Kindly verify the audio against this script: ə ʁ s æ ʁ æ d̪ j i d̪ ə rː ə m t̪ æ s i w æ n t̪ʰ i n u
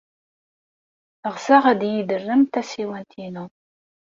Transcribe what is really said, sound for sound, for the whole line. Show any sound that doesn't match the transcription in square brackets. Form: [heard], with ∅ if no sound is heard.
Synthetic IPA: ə ʁ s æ ʁ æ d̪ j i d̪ ə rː ə m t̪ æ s i w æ n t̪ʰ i n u